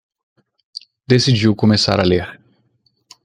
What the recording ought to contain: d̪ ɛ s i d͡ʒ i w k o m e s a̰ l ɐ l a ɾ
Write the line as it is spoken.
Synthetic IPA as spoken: d̪ e s i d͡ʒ i w k o m e s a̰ ɾ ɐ l e ɾ